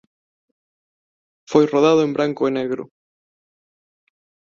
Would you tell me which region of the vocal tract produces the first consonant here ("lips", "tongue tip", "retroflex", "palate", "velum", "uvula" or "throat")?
lips